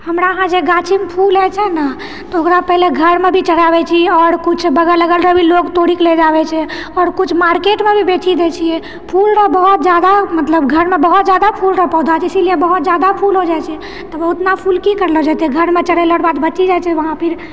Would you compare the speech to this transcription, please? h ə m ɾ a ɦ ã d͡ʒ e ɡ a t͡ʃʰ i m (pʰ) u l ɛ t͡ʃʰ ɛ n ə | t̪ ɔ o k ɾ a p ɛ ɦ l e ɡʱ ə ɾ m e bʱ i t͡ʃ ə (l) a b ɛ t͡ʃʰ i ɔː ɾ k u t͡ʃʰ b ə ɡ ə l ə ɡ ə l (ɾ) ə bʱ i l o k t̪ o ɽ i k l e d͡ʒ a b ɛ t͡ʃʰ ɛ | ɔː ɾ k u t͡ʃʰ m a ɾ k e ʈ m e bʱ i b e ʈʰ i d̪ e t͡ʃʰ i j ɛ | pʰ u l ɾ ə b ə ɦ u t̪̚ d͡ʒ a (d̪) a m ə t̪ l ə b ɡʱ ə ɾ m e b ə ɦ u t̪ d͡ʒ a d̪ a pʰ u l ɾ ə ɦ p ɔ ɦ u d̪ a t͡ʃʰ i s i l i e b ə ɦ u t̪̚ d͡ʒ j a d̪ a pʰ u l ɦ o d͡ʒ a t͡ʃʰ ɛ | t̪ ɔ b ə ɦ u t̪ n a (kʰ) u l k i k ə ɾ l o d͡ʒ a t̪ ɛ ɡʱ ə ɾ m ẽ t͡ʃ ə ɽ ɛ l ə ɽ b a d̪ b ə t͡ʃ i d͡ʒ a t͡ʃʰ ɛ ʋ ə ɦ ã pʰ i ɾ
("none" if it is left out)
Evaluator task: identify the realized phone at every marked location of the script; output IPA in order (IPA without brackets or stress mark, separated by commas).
pʰ, ɽ, ɾ, d̪, pʰ